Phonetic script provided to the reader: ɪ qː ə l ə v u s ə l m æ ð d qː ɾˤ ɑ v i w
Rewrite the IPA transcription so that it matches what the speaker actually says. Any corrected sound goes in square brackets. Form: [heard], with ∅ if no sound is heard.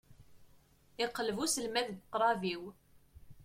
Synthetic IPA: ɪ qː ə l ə v u s ə l m æ ð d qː ɾˤ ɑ v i w